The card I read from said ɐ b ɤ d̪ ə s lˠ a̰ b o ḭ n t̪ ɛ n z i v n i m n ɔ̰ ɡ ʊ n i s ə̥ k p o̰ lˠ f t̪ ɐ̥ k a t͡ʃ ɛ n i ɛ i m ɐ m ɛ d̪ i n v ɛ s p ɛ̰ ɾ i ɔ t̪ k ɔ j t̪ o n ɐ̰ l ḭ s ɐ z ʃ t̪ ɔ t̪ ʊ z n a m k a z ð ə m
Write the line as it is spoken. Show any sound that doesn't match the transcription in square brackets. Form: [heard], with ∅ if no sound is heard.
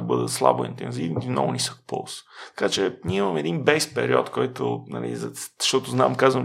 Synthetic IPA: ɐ b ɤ d̪ ə s lˠ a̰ b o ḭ n t̪ ɛ n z i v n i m n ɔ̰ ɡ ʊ n i s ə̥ k p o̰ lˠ [s] t̪ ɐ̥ k a t͡ʃ ɛ n i ɛ i m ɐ m ɛ d̪ i n [b] ɛ s p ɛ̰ ɾ i ɔ t̪ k ɔ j t̪ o n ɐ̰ l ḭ [z] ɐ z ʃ t̪ ɔ t̪ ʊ z n a m k a z [v] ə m